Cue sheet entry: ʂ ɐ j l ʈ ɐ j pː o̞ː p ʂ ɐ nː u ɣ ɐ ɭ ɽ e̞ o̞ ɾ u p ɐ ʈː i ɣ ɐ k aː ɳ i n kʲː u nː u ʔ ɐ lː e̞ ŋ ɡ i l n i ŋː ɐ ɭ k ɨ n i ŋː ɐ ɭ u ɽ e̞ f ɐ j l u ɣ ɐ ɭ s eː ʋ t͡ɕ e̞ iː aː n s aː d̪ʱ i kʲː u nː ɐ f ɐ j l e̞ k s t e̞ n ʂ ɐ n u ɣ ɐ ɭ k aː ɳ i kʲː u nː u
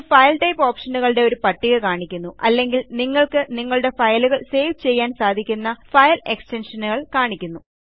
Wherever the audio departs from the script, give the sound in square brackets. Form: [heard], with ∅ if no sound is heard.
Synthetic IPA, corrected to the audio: [f] ɐ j l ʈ ɐ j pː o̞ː p ʂ ɐ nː u ɣ ɐ ɭ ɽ e̞ o̞ ɾ u p ɐ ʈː i ɣ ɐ k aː ɳ i [∅] kʲː u nː u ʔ ɐ lː e̞ ŋ ɡ i l n i ŋː ɐ ɭ k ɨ n i ŋː ɐ ɭ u ɽ e̞ f ɐ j l u ɣ ɐ ɭ s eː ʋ t͡ɕ e̞ [jː] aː n s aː d̪ʱ i kʲː u nː ɐ f ɐ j l e̞ k s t e̞ n ʂ ɐ n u ɣ ɐ ɭ k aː ɳ i kʲː u nː u